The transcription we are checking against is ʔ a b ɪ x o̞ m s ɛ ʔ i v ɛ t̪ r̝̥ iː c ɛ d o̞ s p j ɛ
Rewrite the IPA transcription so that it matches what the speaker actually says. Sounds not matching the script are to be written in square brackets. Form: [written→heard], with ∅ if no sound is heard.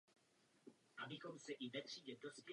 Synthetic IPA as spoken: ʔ a b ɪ x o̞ m s ɛ ʔ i v ɛ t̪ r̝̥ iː [c→ɟ] ɛ d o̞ s p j ɛ